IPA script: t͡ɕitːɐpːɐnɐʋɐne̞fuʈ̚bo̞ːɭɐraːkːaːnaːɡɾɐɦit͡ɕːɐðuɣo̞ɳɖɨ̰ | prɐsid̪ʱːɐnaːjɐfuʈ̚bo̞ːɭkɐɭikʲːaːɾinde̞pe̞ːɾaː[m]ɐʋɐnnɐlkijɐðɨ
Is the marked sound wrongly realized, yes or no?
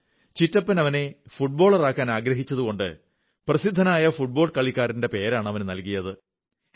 yes